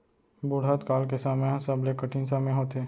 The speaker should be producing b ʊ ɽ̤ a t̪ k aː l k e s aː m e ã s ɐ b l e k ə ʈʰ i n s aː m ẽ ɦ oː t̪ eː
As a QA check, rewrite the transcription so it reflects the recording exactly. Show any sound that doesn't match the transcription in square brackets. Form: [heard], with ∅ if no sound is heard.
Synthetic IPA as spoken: b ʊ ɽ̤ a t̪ k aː l k e s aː m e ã s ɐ b l e k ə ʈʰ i n s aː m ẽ ɦ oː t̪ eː